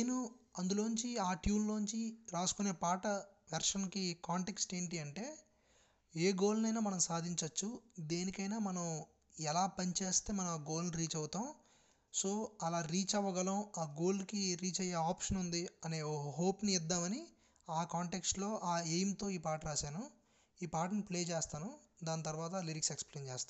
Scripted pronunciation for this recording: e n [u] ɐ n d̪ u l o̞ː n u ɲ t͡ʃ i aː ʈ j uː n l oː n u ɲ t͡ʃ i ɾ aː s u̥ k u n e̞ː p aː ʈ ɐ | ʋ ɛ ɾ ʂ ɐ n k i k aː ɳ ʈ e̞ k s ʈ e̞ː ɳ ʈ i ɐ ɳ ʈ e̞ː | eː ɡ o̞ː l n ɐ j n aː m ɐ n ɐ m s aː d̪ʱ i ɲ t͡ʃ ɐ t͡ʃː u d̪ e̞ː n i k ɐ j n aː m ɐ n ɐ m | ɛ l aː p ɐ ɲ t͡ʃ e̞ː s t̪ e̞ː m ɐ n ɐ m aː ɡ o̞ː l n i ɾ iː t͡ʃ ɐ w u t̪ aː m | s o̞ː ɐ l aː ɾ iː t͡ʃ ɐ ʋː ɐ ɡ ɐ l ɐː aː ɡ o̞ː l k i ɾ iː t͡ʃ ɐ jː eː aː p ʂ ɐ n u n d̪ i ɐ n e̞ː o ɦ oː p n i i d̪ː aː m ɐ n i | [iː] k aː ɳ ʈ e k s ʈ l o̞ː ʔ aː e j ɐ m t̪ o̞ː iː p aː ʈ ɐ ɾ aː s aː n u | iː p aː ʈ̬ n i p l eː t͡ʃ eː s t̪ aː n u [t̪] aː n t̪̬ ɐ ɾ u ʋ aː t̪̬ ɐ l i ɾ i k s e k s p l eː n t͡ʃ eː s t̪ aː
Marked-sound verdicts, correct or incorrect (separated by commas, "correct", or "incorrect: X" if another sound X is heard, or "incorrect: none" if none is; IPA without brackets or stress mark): correct, incorrect: aː, incorrect: d̪